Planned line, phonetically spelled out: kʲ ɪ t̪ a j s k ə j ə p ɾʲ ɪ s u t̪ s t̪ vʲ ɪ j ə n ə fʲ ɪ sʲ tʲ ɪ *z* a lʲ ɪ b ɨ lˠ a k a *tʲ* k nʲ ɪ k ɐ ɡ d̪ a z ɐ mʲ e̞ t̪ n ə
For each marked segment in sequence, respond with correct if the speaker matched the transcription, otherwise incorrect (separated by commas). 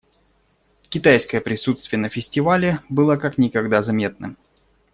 incorrect, incorrect